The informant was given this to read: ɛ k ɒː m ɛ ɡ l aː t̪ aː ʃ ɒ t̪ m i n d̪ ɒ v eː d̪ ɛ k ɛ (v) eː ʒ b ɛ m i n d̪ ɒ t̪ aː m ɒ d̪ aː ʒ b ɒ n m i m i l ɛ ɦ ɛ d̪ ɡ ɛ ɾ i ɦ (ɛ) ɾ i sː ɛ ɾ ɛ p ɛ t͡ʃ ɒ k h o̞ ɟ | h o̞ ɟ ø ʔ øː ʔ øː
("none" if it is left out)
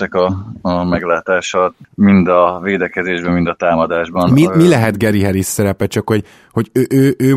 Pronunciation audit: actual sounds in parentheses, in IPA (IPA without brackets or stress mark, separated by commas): z, ɛ